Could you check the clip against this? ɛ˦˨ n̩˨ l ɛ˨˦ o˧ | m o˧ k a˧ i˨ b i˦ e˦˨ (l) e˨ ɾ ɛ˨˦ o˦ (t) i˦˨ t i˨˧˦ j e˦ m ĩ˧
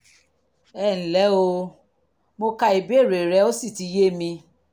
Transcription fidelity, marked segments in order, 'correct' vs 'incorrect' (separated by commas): incorrect, incorrect